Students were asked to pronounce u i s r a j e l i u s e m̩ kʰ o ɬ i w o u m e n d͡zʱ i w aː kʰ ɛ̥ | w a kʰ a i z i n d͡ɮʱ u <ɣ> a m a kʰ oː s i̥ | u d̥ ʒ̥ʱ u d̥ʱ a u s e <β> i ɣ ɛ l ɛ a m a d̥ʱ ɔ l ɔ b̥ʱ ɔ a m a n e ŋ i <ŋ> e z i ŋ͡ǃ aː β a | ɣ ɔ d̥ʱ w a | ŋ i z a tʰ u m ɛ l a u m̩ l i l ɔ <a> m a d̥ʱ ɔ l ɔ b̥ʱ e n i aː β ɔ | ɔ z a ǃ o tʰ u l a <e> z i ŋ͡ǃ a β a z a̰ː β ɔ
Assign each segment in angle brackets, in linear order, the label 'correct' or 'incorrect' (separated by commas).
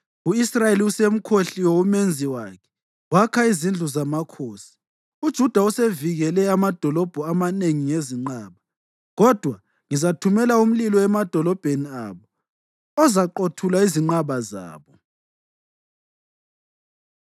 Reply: incorrect, incorrect, correct, incorrect, incorrect